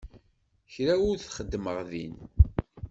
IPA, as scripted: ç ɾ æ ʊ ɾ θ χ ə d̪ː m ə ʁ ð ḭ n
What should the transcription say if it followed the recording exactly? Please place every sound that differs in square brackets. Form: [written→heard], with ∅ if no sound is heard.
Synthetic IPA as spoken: ç ɾ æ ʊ ɾ θ χ ə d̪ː m ə ʁ ð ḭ n